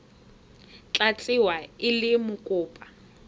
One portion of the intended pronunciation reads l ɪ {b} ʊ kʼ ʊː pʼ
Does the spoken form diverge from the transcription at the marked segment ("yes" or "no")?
yes